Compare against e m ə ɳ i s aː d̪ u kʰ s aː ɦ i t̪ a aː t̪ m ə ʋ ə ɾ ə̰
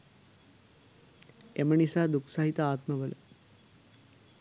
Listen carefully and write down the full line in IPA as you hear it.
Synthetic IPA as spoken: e m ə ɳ i s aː d̪ u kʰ s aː ɦ i t̪ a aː t̪ m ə ʋ ə l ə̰